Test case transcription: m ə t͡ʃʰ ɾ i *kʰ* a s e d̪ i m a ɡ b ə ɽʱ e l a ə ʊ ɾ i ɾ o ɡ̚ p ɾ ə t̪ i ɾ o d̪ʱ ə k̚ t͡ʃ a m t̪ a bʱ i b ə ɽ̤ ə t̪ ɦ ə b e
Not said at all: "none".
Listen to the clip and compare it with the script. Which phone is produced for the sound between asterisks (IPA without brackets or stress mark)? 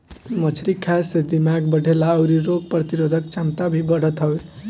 kʰ